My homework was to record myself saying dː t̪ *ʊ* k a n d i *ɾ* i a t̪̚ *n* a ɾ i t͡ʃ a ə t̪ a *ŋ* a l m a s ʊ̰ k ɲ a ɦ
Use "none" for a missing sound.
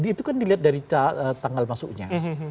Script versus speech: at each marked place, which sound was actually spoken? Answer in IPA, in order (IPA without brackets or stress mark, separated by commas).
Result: u, l, d, ŋ